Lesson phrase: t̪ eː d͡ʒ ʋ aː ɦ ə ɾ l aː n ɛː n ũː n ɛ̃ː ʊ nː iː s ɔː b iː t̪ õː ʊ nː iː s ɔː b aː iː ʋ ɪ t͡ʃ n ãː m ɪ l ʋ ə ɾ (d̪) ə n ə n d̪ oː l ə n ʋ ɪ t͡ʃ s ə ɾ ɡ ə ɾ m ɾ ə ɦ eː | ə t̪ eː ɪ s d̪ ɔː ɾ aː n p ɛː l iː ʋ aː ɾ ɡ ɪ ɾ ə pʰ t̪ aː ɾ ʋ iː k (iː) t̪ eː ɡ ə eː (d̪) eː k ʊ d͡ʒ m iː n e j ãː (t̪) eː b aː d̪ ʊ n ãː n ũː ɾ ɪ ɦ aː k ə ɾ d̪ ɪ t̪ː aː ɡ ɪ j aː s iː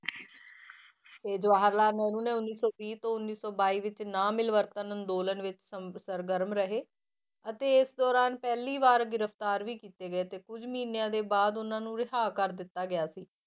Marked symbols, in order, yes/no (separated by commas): no, yes, no, no